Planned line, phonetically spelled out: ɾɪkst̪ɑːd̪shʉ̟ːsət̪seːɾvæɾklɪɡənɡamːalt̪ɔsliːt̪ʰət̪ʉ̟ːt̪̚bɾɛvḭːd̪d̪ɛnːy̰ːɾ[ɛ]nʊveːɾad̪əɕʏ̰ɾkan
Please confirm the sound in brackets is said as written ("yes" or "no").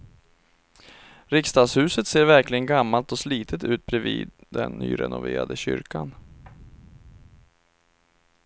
yes